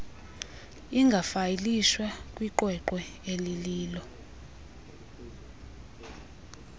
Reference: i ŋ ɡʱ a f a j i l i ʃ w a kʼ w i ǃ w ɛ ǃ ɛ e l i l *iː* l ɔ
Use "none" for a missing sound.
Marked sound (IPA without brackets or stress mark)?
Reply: iː